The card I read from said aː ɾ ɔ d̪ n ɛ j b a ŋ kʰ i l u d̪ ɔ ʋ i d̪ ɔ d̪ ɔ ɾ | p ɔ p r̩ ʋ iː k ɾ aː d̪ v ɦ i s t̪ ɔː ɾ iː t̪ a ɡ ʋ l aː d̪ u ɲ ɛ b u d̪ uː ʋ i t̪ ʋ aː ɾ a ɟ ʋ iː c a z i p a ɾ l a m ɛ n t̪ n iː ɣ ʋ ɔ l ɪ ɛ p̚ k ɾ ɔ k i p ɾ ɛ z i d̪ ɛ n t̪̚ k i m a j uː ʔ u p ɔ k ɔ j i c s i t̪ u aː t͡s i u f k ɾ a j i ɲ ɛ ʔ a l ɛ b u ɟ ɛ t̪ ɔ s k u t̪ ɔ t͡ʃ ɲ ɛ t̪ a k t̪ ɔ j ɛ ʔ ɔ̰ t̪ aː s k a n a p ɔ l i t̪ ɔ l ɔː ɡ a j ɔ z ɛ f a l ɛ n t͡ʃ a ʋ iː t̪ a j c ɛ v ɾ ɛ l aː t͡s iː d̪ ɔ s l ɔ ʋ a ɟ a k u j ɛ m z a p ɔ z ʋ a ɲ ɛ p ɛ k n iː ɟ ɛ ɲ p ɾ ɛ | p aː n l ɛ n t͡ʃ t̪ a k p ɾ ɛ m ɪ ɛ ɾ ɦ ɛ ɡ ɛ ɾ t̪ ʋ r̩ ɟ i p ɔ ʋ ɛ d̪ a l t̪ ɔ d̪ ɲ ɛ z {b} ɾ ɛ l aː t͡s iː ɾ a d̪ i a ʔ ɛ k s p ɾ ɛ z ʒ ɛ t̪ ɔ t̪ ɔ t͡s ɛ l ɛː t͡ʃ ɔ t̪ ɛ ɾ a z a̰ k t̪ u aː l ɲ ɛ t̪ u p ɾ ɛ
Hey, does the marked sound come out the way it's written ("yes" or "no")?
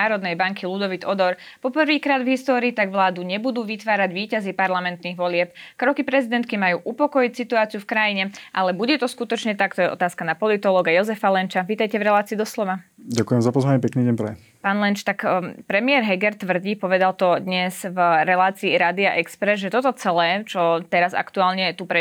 no